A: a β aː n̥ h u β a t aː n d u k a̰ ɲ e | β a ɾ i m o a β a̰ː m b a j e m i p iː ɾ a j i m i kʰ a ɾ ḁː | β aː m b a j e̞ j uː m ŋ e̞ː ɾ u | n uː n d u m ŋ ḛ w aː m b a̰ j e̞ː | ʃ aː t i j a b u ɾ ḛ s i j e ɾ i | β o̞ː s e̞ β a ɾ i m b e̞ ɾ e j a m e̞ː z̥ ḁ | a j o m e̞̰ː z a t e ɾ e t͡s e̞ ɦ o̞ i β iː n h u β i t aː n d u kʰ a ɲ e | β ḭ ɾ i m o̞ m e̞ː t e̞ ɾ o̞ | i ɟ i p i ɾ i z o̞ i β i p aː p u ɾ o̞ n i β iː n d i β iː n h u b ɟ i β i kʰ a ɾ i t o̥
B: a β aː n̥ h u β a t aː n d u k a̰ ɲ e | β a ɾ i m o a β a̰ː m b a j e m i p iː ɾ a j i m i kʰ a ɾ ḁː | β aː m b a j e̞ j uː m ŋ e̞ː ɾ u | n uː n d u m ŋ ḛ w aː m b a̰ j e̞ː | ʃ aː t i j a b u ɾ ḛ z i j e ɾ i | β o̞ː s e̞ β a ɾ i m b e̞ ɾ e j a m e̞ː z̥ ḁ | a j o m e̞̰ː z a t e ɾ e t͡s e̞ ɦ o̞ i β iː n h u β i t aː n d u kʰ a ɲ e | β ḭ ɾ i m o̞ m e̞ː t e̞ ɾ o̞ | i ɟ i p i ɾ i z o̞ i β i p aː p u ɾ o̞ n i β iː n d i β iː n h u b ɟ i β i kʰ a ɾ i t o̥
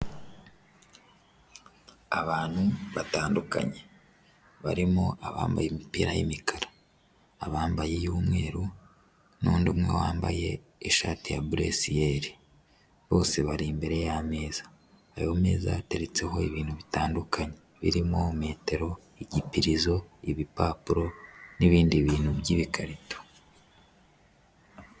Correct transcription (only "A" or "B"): A